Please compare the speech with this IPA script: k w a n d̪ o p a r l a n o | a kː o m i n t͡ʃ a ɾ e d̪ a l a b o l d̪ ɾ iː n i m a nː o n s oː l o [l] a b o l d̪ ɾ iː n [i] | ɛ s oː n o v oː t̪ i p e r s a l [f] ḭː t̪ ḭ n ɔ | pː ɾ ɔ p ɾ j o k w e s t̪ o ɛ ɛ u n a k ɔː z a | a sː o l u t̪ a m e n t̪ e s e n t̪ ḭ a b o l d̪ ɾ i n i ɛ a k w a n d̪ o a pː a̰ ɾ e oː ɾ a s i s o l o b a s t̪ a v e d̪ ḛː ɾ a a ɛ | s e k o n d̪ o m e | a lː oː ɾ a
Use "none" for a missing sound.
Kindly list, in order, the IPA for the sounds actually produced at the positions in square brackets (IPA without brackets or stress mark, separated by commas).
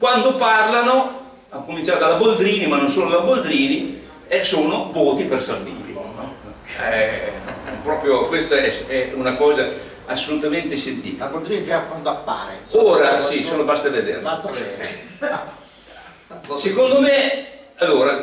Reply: l, i, v